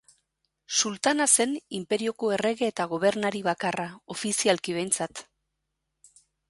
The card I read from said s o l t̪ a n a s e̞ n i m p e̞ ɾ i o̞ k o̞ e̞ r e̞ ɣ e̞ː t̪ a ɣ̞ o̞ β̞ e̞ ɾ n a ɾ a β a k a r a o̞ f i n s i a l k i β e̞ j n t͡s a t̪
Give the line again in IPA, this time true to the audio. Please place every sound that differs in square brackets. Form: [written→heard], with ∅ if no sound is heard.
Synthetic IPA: s [o→u] l t̪ a n a s e̞ n i m p e̞ ɾ i o̞ k o̞ e̞ r e̞ ɣ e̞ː t̪ a ɣ̞ o̞ β̞ e̞ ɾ n a ɾ [a→i] β a k a r a o̞ f i [n→∅] s i a l k i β e̞ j n t͡s a t̪